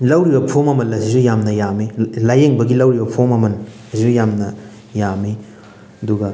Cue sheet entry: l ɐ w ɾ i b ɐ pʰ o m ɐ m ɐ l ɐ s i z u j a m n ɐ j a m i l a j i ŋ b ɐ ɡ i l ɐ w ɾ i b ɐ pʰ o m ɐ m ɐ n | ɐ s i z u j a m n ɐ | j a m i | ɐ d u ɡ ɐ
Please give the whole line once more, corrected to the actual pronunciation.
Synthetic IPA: l ɐ w ɾ i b ɐ pʰ o m ɐ m ɐ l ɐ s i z u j a m n ɐ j a m i l a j e ŋ b ɐ ɡ i l ɐ w ɾ i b ɐ pʰ o m ɐ m ɐ n | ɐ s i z u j a m n ɐ | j a m i | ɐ d u ɡ ɐ